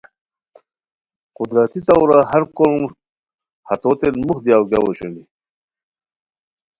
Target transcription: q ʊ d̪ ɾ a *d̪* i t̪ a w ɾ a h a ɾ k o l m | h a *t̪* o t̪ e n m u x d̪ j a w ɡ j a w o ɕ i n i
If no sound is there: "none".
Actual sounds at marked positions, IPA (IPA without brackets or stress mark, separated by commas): t̪, t̪